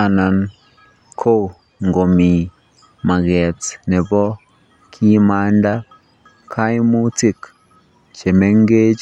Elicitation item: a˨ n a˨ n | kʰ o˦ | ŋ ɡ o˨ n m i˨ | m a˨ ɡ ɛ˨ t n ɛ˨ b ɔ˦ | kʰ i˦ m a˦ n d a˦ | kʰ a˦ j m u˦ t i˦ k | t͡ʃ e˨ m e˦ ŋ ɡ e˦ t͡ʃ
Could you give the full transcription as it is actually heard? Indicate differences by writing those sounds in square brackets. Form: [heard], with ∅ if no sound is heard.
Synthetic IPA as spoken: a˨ n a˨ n | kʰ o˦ | ŋ ɡ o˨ [∅] m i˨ | m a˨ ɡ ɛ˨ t n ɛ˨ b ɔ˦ | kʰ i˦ m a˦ n d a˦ | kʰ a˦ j m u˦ t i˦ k | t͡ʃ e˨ m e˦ ŋ ɡ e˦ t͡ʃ